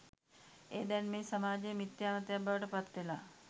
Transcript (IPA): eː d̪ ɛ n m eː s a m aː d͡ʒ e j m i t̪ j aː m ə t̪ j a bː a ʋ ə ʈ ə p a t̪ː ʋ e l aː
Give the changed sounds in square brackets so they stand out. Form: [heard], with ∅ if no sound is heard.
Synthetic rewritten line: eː d̪ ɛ n m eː s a m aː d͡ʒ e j m i t̪ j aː m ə t̪ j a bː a ʋ ə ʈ ə p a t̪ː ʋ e l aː

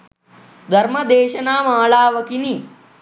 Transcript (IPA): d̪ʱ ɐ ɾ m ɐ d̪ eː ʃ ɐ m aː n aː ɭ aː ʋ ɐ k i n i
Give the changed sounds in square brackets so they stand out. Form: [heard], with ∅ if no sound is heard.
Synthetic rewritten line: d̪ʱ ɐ ɾ m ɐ d̪ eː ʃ ɐ [n] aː [m] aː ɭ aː ʋ ɐ k i n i

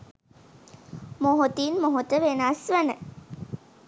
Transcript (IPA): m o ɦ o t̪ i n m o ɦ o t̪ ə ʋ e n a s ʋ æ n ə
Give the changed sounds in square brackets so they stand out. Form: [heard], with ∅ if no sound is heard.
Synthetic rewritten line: m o ɦ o t̪ i n m o ɦ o t̪ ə ʋ e n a s ʋ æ n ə

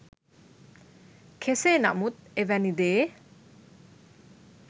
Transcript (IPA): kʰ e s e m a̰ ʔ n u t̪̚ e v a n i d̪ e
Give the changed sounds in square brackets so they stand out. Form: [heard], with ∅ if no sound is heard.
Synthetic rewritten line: kʰ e s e [n] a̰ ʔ [m] u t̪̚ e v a n i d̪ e

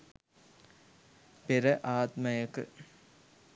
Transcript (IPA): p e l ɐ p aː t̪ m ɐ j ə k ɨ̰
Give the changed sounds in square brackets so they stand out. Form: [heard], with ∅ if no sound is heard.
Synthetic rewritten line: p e [ɾ] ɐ [ʔ] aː t̪ m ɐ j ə k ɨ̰

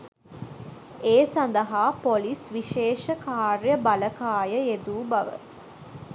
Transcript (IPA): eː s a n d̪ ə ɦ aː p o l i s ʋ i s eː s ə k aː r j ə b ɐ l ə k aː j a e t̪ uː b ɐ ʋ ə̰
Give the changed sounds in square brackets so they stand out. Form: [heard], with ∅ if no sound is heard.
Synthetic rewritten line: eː s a n d̪ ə ɦ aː p o l i s ʋ i [ʃ] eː [ʃ] ə k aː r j ə b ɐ l ə k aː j [ə] e [d̪] uː b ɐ ʋ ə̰

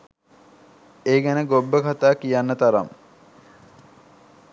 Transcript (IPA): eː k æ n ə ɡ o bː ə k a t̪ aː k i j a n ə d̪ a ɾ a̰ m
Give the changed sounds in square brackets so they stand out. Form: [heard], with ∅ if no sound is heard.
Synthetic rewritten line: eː [ɡ] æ n ə ɡ o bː ə k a t̪ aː k i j a [nː] ə [t̪] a ɾ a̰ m

